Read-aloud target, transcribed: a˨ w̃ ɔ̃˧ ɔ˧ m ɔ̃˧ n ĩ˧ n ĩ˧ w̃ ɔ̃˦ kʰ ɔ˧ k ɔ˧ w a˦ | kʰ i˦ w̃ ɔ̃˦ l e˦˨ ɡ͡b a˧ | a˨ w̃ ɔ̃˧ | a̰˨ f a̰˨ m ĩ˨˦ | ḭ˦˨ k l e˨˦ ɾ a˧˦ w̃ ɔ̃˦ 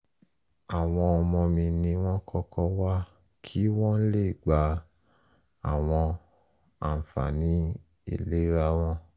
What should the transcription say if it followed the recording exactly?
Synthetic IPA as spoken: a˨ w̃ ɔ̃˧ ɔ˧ m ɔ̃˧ m ĩ˧ n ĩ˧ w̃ ɔ̃˦ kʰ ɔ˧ k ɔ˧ w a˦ | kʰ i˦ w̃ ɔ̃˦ l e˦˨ ɡ͡b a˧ | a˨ w̃ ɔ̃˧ | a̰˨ f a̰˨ n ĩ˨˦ | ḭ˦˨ l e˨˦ ɾ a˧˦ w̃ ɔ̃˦

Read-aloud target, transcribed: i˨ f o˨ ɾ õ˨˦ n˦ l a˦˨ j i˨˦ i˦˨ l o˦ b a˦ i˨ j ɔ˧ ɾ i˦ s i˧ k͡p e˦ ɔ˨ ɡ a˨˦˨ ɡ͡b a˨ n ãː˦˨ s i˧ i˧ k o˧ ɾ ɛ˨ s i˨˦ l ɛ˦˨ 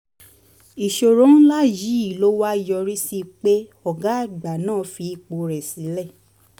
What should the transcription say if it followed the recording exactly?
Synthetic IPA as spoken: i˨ ʃ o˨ ɾ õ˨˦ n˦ l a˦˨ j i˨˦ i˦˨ l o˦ w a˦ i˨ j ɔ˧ ɾ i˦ s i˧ k͡p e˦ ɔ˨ ɡ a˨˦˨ ɡ͡b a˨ n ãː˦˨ f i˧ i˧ k͡p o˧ ɾ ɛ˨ s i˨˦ l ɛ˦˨

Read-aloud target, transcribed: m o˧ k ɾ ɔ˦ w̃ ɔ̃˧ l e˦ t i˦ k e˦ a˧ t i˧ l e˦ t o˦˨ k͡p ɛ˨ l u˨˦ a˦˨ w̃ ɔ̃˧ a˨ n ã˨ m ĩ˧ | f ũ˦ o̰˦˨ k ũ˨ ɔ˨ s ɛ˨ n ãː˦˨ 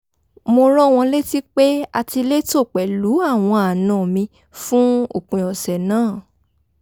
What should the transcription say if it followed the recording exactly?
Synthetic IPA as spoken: m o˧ ɾ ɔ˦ w̃ ɔ̃˧ l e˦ t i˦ k͡p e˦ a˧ t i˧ l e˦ t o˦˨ k͡p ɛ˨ l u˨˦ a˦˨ w̃ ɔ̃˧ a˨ n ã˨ m ĩ˧ | f ũ˦ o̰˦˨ k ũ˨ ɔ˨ s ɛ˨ n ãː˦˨

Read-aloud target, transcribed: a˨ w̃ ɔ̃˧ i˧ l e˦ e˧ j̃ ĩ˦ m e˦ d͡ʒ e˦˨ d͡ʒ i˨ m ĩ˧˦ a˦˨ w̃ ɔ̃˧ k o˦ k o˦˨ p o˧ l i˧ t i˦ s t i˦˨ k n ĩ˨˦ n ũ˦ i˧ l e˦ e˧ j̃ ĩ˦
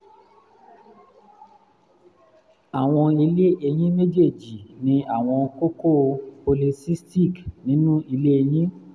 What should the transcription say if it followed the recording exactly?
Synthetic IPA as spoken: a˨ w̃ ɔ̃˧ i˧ l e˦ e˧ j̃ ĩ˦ m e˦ d͡ʒ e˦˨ d͡ʒ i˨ n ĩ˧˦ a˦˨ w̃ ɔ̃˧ k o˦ k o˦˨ p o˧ l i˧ s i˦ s t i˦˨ k n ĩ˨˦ n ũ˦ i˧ l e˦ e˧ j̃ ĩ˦

